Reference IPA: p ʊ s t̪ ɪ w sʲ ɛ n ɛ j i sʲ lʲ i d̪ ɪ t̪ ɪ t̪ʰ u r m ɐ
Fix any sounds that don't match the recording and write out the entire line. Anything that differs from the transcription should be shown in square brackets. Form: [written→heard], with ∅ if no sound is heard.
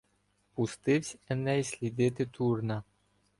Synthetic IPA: p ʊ s t̪ ɪ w sʲ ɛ n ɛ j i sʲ lʲ i d̪ ɪ t̪ ɪ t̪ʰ u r [m→n] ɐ